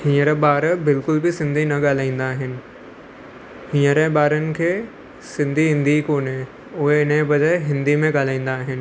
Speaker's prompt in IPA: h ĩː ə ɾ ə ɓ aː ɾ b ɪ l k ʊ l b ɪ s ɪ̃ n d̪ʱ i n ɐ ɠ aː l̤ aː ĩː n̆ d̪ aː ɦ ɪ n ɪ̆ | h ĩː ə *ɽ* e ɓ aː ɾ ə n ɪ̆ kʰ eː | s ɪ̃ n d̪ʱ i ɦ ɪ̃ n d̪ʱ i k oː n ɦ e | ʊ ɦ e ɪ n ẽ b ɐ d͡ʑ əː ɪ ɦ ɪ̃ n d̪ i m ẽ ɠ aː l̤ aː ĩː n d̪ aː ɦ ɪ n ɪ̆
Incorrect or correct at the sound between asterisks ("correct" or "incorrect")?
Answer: incorrect